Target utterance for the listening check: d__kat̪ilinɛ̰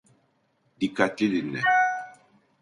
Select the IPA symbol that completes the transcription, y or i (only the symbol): i